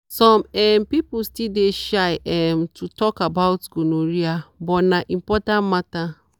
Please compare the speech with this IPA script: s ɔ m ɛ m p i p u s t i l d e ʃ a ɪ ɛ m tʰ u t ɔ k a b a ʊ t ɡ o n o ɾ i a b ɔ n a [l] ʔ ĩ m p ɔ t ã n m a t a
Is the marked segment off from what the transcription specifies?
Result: yes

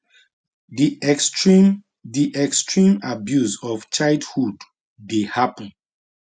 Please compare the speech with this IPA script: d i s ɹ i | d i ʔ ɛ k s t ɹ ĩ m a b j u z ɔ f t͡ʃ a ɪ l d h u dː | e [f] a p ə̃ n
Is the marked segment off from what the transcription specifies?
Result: yes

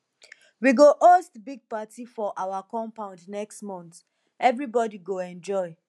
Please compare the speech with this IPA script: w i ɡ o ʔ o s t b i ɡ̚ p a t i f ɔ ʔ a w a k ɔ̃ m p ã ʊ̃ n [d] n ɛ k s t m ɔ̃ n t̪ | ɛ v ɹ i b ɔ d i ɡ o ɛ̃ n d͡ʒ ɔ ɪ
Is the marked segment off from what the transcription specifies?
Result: no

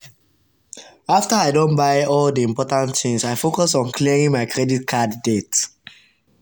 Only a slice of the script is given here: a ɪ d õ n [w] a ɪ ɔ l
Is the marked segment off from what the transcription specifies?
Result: yes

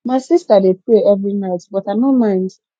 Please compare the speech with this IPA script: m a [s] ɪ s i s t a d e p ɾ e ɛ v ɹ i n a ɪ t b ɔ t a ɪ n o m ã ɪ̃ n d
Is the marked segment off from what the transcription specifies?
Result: yes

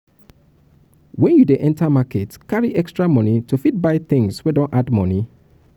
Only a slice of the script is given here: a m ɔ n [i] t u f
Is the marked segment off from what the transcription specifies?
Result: no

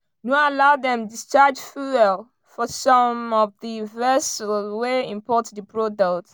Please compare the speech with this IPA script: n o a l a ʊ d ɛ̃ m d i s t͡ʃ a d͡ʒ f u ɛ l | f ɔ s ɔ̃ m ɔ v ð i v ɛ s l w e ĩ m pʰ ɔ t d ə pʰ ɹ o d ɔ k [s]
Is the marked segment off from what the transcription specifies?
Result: yes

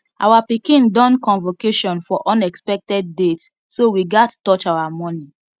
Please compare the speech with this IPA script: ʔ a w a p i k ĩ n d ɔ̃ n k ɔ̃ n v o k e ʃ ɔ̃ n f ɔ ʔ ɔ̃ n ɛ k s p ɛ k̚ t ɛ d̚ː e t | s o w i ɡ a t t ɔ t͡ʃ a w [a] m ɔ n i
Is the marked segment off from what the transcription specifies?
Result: no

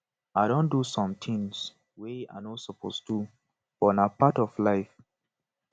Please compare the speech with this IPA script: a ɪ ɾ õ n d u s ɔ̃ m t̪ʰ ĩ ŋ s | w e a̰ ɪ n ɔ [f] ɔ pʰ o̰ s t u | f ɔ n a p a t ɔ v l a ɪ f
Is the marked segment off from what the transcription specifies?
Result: yes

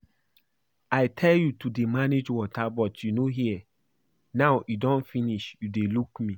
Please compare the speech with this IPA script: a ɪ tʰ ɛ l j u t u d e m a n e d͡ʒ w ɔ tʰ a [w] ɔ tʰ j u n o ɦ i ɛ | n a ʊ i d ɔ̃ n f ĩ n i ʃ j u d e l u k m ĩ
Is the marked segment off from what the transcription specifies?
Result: yes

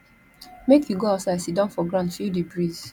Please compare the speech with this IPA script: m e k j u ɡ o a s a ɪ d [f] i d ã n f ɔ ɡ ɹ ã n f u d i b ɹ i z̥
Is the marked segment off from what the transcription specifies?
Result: yes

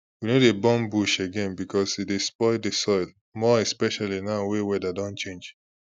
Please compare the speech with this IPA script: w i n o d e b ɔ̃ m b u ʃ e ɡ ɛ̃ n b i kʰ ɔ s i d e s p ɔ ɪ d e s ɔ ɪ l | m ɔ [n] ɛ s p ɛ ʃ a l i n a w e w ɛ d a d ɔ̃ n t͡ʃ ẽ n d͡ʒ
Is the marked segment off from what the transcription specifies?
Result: yes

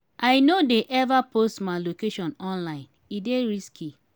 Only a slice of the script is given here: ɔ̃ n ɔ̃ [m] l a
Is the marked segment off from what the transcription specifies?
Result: yes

